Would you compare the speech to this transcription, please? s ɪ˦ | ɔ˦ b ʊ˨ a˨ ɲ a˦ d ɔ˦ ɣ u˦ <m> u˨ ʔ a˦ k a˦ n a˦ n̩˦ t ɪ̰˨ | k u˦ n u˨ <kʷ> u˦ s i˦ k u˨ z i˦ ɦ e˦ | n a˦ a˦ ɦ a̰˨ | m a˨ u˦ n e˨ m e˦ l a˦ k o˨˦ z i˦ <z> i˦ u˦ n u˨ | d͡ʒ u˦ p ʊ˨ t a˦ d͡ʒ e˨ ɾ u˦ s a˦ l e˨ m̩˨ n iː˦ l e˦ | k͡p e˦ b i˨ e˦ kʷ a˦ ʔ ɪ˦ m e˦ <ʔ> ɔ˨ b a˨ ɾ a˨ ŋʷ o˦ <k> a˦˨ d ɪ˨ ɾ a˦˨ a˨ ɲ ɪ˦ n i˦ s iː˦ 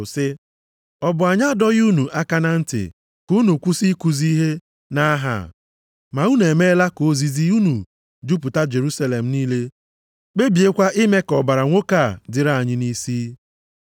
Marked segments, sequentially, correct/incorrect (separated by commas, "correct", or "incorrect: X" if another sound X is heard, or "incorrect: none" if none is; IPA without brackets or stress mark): incorrect: n, correct, correct, incorrect: k, correct